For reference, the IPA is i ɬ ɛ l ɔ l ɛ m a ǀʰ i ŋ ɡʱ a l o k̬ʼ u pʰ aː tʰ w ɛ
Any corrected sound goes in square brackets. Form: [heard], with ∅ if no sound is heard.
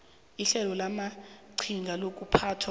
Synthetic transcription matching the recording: i ɬ ɛ l ɔ l [a] m a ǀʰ i ŋ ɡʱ a l o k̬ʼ u pʰ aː tʰ w [a]

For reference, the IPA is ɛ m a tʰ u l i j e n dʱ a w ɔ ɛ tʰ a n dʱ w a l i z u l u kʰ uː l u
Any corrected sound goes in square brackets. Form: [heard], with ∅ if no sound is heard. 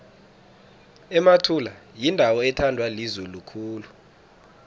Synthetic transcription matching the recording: ɛ m a tʰ u l [a] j [i] n dʱ a w ɔ ɛ tʰ a n dʱ w a l i z u l u kʰ uː l u

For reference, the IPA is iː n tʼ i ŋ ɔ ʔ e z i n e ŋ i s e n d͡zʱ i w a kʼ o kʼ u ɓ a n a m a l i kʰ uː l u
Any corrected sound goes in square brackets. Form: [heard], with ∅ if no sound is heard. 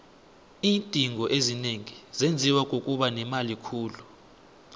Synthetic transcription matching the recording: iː n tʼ i ŋ ɔ ʔ e z i n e ŋ i [z] e n d͡zʱ i w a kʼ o kʼ u ɓ a n [ɛ] m a l i kʰ uː l u

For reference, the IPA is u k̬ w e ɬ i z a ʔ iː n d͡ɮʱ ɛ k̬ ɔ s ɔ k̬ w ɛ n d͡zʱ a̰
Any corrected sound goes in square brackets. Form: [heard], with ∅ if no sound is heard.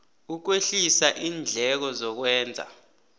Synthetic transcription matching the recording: u k̬ w e ɬ i [s] a ʔ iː n d͡ɮʱ ɛ k̬ ɔ [z] ɔ k̬ w [ɛː] n d͡zʱ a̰

